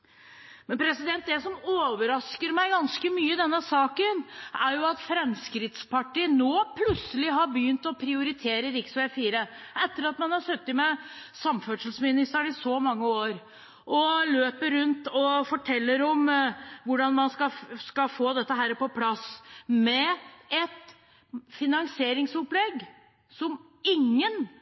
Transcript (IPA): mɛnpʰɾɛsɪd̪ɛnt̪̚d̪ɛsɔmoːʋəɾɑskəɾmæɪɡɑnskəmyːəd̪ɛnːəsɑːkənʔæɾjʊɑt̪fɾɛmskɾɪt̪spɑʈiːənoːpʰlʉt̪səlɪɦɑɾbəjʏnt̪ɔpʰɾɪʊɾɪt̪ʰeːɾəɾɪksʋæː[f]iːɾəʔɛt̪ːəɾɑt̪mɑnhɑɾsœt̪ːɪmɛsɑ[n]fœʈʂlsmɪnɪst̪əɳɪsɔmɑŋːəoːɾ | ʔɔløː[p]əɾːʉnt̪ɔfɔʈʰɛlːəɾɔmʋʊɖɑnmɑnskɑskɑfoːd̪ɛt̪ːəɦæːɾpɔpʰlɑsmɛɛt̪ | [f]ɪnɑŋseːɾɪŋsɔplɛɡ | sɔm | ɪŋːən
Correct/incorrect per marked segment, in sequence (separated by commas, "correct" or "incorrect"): correct, incorrect, correct, correct